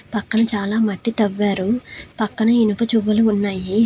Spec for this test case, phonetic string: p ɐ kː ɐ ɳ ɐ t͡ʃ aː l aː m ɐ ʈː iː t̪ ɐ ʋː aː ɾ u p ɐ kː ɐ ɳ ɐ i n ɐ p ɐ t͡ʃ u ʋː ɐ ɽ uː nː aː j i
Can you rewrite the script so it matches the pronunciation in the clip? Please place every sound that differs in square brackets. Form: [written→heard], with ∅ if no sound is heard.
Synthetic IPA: p ɐ kː ɐ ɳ ɐ t͡ʃ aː l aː m ɐ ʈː [iː→i] t̪ ɐ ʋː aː ɾ u p ɐ kː ɐ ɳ ɐ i n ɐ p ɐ t͡ʃ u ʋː ɐ [ɽ→l] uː nː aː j i